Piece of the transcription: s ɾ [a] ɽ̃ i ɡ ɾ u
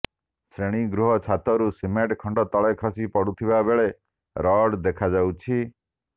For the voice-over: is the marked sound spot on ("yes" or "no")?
no